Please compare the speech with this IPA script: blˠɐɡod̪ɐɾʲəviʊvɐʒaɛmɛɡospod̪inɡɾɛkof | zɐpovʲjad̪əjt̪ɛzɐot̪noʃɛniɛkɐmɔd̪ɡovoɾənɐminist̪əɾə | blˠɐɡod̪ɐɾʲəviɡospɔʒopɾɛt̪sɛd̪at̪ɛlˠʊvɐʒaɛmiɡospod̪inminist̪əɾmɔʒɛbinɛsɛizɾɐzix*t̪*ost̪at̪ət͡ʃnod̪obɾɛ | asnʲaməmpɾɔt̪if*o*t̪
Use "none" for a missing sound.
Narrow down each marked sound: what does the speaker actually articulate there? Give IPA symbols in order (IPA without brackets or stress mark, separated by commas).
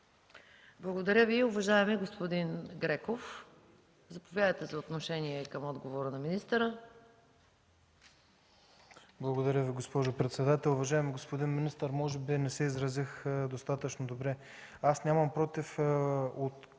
d̪, o